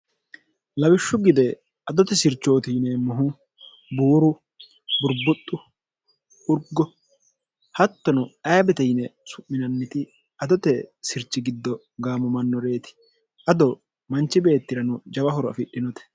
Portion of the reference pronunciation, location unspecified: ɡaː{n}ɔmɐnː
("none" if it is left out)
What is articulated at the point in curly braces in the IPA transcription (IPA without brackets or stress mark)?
m